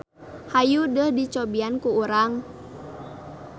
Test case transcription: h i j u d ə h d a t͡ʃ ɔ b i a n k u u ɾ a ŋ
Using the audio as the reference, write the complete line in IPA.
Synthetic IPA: h a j u d ə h d i t͡ʃ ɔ b i a n k u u ɾ a ŋ